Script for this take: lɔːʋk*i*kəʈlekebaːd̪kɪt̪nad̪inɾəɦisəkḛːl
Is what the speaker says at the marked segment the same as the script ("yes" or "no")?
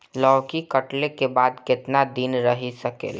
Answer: yes